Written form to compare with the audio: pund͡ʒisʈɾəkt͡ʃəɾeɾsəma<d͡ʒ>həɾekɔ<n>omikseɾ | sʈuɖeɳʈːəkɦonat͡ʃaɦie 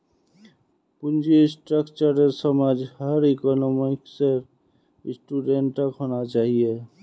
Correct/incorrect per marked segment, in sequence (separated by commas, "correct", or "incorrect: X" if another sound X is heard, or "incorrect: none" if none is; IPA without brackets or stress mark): correct, correct